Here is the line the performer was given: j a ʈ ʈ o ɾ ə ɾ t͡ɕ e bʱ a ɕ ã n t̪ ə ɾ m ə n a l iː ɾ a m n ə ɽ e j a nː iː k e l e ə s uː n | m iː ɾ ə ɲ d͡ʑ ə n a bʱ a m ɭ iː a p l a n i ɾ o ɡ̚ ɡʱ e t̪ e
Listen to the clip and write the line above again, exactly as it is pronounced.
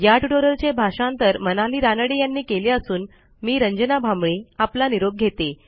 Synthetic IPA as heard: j a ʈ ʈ o ɾ ə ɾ t͡ɕ e bʱ a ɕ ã n t̪ ə ɾ m ə n a l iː ɾ a n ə ɽ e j a nː iː k e l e ə s uː n | m iː ɾ ə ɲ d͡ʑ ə n a bʱ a m ɭ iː a p l a n i ɾ o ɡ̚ ɡʱ e t̪ e